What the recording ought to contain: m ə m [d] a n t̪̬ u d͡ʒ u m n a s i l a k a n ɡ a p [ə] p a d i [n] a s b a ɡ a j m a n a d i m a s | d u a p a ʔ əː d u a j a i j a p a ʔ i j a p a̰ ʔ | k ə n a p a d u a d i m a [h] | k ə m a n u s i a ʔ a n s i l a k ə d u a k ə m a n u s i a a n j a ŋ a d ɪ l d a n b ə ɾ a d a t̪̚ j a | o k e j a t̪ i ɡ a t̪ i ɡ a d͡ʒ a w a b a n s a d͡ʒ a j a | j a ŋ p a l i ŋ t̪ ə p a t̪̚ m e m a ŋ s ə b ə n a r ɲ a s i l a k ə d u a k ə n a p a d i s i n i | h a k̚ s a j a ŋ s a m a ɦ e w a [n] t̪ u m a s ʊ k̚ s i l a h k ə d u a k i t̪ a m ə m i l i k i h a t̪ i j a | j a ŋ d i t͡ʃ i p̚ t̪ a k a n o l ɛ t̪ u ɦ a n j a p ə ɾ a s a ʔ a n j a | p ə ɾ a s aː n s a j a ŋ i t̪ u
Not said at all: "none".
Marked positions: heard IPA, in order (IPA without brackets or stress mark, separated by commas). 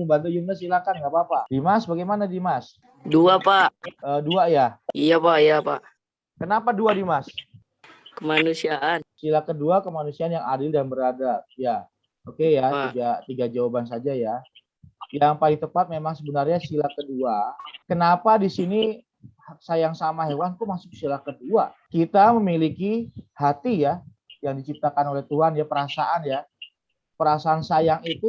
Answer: b, a, m, s, n